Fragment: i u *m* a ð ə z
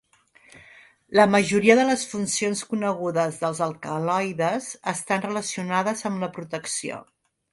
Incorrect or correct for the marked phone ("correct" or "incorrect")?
incorrect